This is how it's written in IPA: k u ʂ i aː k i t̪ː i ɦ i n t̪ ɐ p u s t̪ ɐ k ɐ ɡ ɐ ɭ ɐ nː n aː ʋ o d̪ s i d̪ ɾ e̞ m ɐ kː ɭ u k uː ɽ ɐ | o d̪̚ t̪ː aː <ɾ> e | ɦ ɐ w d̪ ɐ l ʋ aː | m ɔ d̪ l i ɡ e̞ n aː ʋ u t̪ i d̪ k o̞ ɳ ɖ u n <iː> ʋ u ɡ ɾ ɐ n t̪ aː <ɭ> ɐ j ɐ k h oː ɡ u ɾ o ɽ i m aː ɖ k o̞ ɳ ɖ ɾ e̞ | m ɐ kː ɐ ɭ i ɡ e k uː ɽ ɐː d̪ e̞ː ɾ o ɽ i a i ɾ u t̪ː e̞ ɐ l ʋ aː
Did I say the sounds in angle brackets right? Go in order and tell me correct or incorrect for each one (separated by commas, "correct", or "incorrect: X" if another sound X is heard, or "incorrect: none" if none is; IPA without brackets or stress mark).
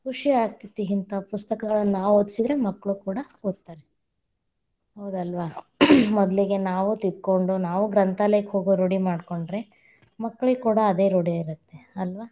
correct, incorrect: aː, incorrect: l